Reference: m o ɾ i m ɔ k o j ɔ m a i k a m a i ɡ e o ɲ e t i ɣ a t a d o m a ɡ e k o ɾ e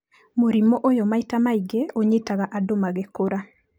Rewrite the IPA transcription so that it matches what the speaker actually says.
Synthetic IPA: m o ɾ i m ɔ ʔ o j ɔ m a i t a m a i ɡ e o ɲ e t a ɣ a ʔ a d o m a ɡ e k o ɾ a